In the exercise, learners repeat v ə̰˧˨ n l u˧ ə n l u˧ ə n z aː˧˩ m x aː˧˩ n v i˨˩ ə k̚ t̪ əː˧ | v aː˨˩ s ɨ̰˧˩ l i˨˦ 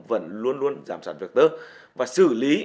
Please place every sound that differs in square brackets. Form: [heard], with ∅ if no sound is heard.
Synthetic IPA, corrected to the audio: v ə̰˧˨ n l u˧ ə n l u˧ ə n z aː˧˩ m [s] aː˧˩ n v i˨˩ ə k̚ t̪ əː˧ | v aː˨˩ s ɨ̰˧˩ l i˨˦